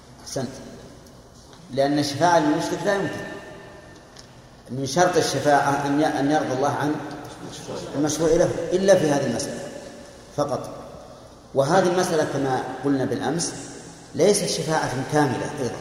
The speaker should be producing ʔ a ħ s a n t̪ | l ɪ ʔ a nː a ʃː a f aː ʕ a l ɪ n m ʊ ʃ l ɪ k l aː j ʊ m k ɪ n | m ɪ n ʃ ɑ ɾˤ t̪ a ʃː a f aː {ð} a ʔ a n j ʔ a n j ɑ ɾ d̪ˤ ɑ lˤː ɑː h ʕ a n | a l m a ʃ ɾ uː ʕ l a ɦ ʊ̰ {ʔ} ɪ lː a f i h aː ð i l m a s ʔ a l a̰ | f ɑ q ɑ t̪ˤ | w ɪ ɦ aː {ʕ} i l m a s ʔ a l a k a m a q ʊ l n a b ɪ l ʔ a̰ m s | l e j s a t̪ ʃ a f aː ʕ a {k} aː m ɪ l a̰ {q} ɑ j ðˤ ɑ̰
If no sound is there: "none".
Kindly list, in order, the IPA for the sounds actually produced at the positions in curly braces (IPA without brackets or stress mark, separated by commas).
ʕ, ʔ, ð, k, ʔ